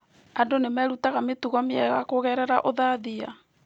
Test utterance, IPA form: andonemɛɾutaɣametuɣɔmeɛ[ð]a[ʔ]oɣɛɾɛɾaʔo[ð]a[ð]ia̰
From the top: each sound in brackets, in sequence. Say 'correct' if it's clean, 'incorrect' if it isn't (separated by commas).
incorrect, incorrect, correct, correct